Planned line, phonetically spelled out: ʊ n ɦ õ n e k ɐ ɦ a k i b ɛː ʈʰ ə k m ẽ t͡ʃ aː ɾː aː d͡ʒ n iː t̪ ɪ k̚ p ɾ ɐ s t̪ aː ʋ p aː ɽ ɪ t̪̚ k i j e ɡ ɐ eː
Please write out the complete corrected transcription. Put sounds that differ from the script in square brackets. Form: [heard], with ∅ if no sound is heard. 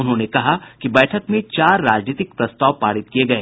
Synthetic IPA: ʊ n ɦ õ n e k ɐ ɦ a k i b ɛː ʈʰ ə k m ẽ t͡ʃ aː ɾː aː d͡ʒ n iː t̪ ɪ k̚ p ɾ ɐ s t̪ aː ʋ p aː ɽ ɪ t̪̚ k i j e ɡ ɐ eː